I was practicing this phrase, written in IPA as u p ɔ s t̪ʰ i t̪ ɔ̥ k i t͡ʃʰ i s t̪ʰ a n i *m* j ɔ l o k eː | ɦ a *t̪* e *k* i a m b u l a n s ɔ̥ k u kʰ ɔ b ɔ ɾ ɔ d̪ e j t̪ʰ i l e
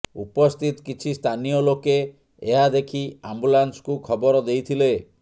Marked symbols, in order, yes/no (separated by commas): no, no, no